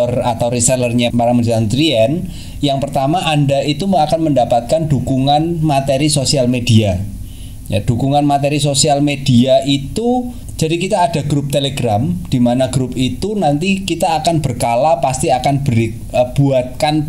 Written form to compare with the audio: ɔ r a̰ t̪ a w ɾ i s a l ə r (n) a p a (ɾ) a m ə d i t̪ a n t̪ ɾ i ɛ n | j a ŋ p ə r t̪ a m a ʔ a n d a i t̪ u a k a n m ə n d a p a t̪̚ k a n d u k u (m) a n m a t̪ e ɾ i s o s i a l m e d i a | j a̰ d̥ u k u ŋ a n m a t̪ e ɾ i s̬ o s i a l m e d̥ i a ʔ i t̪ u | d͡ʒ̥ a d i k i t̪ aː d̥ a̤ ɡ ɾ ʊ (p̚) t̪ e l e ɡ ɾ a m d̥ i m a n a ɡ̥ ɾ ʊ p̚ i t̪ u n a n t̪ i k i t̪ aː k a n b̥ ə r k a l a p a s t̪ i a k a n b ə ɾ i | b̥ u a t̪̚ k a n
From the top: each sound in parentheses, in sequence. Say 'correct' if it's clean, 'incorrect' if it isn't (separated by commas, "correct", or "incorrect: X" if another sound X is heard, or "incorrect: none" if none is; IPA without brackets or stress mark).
incorrect: ɲ, correct, incorrect: ŋ, correct